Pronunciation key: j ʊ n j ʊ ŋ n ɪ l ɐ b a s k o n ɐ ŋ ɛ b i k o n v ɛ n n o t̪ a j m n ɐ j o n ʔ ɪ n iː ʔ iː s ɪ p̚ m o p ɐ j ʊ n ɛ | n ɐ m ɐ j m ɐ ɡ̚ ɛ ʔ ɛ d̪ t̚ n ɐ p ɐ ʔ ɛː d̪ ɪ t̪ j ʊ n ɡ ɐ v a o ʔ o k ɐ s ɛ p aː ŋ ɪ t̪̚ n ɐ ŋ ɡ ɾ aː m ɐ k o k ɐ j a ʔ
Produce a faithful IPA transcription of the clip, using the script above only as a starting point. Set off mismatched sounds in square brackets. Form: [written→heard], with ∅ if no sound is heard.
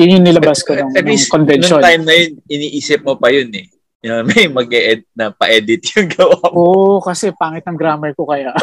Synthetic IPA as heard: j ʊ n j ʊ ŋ n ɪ l ɐ b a s k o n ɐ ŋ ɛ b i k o n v ɛ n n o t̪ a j m n ɐ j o n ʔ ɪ n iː ʔ iː s ɪ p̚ m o p ɐ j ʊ n ɛ | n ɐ m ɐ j m ɐ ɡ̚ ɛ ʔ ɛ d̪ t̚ n ɐ p ɐ ʔ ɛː d̪ ɪ t̪ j ʊ [n→ŋ] ɡ ɐ [v→w] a o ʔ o k ɐ s ɛ p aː ŋ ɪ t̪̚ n ɐ ŋ ɡ ɾ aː m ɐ k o k ɐ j a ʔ